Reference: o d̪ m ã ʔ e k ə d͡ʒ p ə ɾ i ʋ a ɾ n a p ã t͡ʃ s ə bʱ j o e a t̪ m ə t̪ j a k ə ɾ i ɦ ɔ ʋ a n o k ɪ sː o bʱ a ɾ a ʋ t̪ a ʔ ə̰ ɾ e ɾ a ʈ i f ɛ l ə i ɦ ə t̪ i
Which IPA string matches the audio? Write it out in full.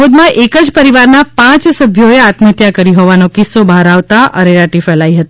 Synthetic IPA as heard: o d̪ m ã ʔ e k ə d͡ʒ p ə ɾ i ʋ a ɾ n a p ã t͡ʃ s ə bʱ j o e a t̪ m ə t̪ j a k ə ɾ i ɦ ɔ ʋ a n o k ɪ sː o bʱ a ɾ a ʋ t̪ a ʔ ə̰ ɾ e ɾ a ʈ i f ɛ l a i ɦ ə t̪ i